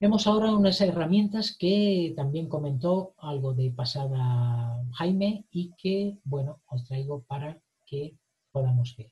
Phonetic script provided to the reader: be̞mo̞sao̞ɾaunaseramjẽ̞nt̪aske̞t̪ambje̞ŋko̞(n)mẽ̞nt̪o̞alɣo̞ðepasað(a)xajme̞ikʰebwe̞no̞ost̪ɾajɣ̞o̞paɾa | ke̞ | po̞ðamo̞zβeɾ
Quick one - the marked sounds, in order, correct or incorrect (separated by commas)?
incorrect, correct